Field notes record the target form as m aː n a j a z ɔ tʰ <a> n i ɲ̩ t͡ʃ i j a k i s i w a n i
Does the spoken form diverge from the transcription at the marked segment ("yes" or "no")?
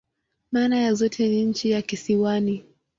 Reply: yes